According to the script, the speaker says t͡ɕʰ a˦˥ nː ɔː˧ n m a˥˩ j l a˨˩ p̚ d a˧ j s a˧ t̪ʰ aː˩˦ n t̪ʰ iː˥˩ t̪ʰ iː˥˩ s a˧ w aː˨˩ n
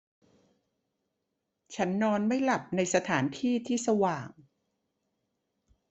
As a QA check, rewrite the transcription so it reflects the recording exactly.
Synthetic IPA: t͡ɕʰ a˦˥ nː ɔː˧ n m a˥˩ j l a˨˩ p̚ n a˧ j s a˧ t̪ʰ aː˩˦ n t̪ʰ iː˥˩ t̪ʰ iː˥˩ s a˧ w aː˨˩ ŋ